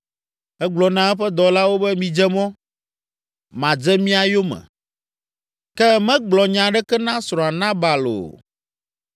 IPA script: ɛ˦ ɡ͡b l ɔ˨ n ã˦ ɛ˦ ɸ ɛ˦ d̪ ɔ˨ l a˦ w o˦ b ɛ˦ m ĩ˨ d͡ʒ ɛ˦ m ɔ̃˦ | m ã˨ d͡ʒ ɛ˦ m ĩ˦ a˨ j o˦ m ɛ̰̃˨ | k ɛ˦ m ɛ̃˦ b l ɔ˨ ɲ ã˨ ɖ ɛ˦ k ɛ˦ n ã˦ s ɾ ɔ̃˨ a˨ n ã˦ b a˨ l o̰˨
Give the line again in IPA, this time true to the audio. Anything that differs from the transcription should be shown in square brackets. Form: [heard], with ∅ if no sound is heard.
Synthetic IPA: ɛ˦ ɡ͡b l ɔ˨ n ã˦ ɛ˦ ɸ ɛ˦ d̪ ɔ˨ l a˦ w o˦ b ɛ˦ m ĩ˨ d͡ʒ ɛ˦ m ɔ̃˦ | m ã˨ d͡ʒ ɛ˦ m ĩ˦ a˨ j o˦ m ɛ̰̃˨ | k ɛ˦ m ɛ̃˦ [ɡ͡b] l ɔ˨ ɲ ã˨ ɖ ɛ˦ k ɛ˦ n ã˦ s ɾ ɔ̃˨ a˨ n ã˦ b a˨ l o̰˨